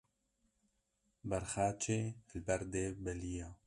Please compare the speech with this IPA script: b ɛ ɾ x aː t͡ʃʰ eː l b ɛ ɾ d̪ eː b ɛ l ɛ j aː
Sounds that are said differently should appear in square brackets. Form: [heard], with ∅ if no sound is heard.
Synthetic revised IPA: b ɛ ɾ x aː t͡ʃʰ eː l b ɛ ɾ d̪ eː b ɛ l [i] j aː